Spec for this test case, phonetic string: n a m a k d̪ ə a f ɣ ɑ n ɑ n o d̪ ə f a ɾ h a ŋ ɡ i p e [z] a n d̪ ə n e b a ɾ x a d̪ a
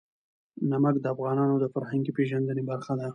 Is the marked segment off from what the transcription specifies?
yes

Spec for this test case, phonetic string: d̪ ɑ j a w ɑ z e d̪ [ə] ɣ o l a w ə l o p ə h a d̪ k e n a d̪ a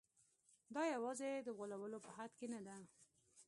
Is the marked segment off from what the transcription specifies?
no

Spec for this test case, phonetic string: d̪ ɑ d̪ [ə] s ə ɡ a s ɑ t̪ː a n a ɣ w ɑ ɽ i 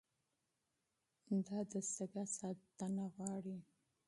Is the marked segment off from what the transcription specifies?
no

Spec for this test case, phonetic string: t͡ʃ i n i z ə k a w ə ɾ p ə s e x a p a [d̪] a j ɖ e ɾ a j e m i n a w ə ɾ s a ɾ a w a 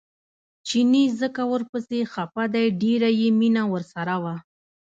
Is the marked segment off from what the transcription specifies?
no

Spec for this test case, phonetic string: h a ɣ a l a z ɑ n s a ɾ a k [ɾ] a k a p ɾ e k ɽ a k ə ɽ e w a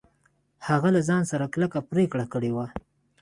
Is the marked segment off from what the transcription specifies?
yes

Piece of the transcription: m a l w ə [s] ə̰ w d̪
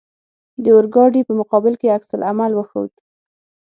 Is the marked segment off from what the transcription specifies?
yes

